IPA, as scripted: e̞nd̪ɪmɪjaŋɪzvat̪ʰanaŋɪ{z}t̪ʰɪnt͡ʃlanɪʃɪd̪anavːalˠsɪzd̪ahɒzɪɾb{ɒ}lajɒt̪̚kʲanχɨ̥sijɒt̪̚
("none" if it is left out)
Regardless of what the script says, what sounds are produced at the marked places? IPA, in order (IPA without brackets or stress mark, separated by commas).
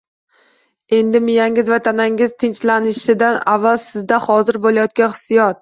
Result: z, o